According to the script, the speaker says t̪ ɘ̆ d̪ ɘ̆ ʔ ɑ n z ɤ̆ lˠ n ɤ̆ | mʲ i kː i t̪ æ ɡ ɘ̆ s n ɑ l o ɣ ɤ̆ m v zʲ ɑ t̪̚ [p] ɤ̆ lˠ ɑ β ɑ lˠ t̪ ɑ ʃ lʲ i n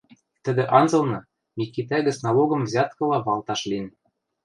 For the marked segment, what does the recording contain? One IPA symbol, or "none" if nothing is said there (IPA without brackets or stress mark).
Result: k